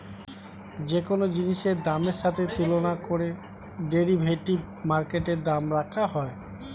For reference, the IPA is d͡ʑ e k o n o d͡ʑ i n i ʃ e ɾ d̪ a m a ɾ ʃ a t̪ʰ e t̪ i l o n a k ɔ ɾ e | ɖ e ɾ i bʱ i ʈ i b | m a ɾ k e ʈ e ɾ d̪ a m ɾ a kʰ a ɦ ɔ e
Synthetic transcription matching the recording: d͡ʑ e k o n o d͡ʑ i n i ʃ e ɾ d̪ a m e ɾ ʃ a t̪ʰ e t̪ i l o n a k o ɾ e | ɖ e ɾ i bʱ e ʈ i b | m a ɾ k e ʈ e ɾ d̪ a m ɾ a kʰ a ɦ ɔ e